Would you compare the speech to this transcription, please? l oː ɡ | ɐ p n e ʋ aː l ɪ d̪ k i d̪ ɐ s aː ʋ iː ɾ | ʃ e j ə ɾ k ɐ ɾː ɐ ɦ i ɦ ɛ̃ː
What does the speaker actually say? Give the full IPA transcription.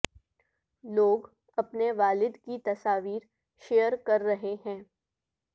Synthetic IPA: l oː ɡ | ɐ p n e ʋ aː l ɪ d̪ k i t̪ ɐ s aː ʋ iː ɾ | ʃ e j ə ɾ k ɐ ɾː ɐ ɦ e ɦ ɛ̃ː